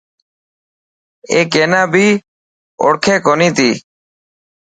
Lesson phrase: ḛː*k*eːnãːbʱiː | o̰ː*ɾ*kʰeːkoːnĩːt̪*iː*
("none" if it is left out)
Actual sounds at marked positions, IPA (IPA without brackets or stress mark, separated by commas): k, ɽ, iː